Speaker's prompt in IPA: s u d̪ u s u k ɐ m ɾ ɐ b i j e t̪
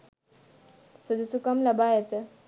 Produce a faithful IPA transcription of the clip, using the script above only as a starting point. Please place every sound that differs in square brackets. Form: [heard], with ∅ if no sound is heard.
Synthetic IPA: s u d̪ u s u k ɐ m [l] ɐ b [a] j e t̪